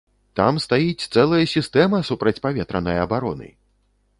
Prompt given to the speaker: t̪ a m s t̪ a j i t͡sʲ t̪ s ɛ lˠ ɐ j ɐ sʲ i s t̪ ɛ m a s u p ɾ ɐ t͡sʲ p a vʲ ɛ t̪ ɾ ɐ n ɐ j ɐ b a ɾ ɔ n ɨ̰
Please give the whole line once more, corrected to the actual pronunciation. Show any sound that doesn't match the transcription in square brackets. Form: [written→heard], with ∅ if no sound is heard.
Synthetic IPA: t̪ a m s t̪ a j i t͡sʲ t̪ s ɛ lˠ ɐ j ɐ sʲ i s t̪ ɛ m [a→ɐ] s u p ɾ ɐ t͡sʲ p a vʲ ɛ t̪ ɾ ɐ n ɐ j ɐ b a ɾ ɔ n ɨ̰